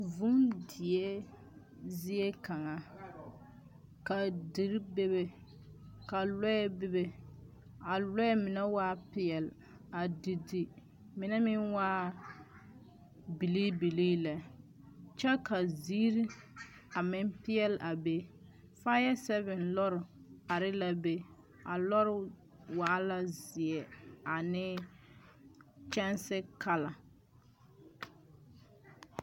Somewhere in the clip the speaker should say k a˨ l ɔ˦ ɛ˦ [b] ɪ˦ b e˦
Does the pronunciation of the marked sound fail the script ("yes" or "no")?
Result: no